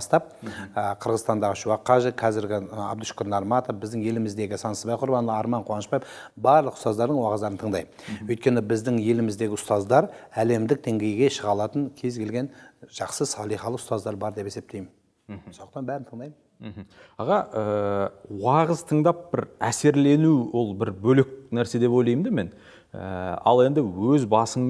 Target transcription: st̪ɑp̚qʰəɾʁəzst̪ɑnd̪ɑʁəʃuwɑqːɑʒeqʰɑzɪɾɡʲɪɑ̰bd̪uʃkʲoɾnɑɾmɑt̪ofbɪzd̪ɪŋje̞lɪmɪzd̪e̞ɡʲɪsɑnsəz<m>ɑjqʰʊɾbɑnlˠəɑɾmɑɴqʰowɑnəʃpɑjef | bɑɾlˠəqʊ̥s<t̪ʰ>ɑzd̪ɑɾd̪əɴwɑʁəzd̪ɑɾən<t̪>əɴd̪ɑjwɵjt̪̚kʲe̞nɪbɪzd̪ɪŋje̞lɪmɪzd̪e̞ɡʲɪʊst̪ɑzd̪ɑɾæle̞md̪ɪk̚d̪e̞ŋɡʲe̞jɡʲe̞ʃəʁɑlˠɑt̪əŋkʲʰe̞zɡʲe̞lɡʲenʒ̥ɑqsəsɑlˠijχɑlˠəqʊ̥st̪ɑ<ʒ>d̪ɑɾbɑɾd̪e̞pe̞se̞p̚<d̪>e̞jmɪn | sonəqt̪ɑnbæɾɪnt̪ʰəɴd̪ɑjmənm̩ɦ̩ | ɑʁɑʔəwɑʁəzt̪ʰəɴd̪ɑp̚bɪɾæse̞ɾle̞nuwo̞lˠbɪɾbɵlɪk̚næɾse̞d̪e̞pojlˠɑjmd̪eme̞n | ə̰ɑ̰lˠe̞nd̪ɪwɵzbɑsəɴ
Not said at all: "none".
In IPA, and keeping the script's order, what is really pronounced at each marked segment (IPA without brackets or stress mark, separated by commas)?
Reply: b, t̪, t̪ʰ, z, t̪